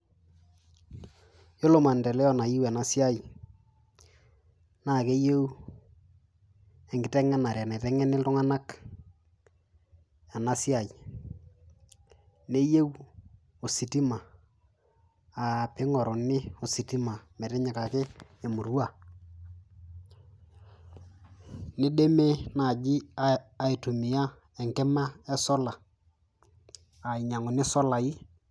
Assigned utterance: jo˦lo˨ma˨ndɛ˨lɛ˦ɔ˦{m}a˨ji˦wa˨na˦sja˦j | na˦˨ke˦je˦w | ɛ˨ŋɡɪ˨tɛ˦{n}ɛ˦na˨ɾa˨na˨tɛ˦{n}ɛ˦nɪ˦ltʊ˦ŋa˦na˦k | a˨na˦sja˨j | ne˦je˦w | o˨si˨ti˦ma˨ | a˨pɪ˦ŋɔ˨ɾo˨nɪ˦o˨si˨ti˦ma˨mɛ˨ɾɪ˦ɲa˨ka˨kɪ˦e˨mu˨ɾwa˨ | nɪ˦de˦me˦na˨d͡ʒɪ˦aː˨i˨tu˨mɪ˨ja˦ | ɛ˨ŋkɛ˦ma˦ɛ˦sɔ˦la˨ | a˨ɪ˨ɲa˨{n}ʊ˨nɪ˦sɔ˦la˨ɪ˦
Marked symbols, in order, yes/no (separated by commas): no, no, no, no